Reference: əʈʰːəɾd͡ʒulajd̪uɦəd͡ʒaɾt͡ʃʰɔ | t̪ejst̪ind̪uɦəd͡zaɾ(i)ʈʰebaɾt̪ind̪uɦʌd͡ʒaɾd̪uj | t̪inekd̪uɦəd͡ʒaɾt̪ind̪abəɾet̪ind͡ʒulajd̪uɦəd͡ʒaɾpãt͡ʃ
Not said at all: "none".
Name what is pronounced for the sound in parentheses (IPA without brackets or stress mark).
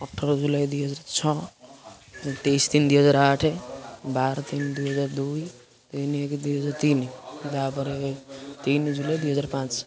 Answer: a